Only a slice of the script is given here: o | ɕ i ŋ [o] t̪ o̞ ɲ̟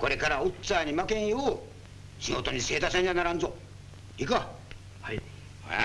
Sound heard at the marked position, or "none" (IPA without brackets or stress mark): o